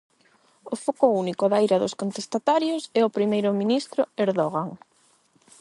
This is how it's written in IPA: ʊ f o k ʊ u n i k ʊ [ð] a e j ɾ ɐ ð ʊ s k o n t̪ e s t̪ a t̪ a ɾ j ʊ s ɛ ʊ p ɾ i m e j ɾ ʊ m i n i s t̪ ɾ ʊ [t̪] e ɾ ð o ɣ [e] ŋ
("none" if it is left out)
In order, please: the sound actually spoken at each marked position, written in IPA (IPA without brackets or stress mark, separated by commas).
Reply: ð, none, a